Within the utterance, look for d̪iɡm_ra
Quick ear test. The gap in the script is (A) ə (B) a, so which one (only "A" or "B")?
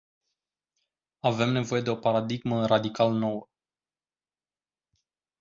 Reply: A